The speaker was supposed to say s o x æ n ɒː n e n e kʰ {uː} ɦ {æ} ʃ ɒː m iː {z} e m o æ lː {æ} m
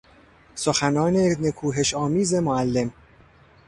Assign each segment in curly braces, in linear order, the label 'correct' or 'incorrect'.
correct, incorrect, correct, incorrect

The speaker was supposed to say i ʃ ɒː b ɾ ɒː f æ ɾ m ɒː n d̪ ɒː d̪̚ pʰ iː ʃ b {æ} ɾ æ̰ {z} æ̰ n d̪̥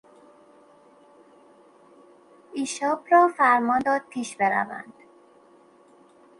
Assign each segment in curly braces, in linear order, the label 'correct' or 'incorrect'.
incorrect, incorrect

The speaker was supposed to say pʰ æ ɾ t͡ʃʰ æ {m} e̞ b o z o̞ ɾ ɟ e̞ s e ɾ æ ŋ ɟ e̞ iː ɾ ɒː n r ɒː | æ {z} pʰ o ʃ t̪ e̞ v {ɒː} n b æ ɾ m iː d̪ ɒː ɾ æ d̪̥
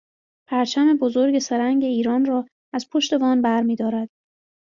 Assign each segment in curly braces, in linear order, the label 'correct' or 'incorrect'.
correct, correct, correct

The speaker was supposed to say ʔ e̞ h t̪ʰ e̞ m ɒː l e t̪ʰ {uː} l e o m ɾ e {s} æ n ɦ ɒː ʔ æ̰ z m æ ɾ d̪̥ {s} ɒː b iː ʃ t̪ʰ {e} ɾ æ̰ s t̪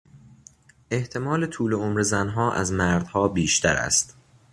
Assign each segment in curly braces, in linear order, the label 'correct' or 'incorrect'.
correct, incorrect, incorrect, incorrect

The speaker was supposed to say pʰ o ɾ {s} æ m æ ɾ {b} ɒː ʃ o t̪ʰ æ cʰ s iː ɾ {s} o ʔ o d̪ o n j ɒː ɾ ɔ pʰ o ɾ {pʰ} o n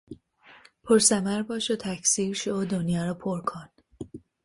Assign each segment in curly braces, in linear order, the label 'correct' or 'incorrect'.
correct, correct, incorrect, incorrect

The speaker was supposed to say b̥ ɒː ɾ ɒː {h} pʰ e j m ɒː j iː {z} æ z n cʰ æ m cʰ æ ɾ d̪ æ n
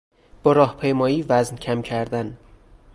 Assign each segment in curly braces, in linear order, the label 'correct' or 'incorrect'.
correct, incorrect

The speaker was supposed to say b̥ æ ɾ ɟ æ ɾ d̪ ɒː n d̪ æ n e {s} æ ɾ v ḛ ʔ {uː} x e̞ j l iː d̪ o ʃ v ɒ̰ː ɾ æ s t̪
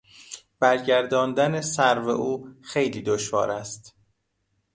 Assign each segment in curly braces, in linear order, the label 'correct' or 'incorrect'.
correct, correct

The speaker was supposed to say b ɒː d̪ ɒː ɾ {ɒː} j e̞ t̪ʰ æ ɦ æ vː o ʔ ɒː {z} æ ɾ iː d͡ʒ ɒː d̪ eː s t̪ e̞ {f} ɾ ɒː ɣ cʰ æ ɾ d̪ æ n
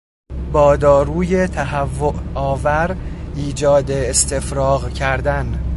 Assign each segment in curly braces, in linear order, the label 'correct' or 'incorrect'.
incorrect, incorrect, correct

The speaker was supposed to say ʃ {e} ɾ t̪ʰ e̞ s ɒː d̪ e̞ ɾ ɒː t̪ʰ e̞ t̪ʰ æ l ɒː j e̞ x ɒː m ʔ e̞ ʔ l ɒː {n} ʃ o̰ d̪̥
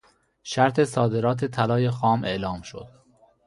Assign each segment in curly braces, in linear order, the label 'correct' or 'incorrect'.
incorrect, incorrect

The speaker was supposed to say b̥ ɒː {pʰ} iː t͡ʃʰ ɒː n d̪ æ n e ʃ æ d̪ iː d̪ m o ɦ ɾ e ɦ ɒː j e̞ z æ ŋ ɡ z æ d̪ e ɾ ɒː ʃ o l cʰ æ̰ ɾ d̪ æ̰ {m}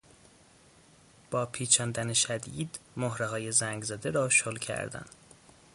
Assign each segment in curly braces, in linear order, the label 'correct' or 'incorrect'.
correct, incorrect

